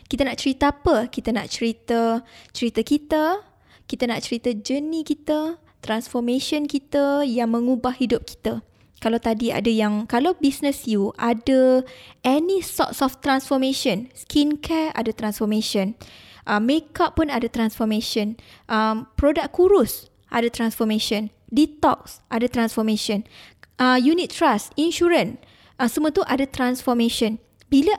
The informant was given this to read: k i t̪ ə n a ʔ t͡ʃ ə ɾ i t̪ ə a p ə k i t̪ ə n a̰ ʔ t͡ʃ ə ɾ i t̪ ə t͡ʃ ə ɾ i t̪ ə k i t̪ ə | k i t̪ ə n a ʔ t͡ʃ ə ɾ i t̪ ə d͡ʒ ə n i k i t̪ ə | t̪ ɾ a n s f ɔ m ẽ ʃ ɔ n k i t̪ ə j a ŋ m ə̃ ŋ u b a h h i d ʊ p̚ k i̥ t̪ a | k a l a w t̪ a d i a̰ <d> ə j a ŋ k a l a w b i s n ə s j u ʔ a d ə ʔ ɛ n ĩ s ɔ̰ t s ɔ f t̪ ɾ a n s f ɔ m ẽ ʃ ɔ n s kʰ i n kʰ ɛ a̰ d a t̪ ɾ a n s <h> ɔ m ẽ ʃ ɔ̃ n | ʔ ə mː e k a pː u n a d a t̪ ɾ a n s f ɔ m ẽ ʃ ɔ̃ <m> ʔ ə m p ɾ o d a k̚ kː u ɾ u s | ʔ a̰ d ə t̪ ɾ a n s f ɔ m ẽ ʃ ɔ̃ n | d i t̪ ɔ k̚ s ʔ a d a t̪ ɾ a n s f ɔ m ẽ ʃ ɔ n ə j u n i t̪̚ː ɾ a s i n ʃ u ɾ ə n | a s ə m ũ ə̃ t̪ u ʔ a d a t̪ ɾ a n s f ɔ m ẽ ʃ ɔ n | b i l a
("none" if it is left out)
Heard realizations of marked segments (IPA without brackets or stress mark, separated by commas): d, f, n